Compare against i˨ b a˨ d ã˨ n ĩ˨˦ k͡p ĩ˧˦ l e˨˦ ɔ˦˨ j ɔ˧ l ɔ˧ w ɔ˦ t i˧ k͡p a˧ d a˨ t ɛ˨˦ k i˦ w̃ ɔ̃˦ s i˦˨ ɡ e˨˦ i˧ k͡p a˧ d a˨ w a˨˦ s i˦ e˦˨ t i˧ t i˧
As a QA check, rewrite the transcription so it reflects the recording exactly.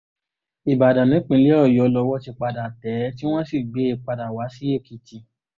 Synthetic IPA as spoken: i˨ b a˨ d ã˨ n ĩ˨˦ k͡p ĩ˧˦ l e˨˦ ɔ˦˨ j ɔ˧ l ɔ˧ w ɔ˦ t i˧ k͡p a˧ d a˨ t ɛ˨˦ t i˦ w̃ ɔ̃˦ s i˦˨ ɡ͡b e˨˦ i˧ k͡p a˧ d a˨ w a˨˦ s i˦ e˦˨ k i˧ t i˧